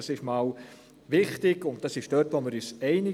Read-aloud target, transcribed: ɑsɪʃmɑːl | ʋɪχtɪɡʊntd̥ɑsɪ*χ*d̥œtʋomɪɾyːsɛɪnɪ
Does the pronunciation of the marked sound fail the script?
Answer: yes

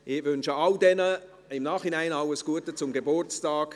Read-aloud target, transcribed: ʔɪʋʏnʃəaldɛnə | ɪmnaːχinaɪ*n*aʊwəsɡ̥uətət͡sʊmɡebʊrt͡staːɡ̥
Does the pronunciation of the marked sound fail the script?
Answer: no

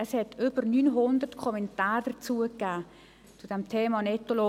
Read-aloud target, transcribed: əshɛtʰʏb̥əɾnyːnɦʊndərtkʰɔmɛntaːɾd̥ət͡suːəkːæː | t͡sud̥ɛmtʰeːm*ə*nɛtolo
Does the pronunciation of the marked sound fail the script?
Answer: yes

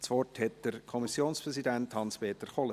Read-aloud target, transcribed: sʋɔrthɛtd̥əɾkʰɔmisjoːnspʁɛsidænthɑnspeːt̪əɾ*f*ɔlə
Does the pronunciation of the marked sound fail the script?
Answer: yes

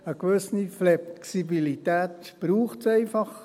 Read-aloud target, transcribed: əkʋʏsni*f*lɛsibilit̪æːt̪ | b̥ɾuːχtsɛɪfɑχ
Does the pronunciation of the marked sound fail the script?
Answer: no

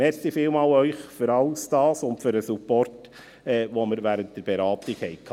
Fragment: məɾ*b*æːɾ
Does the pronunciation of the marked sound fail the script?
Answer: yes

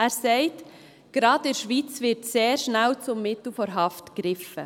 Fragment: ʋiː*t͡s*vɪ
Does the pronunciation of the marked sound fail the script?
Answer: no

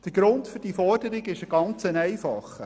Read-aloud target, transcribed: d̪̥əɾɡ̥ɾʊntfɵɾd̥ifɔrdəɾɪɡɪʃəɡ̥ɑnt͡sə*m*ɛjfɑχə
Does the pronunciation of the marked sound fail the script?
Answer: yes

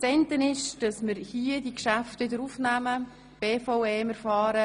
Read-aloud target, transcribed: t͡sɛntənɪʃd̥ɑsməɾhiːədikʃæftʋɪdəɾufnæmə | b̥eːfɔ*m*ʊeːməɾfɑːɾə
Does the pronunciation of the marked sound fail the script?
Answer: yes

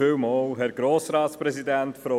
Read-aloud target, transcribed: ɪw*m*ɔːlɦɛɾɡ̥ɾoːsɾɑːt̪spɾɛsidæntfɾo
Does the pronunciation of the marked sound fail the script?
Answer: no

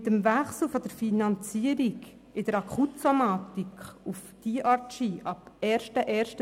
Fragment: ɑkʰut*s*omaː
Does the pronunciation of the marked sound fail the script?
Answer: no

